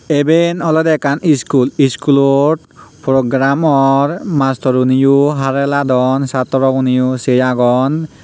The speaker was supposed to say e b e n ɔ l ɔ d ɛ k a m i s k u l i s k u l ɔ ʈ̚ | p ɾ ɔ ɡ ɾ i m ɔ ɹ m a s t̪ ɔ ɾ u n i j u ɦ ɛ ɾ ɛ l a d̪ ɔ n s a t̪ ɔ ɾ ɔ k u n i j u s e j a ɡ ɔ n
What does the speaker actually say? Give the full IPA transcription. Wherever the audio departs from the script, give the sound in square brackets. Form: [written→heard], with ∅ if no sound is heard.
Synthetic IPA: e b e n ɔ l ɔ d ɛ k a [m→n] i s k u l i s k u l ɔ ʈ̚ | p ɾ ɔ ɡ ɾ [i→a] m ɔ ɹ m a s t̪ ɔ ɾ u n i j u ɦ [ɛ→a] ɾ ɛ l a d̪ ɔ n s a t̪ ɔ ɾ ɔ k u n i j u s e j a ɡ ɔ n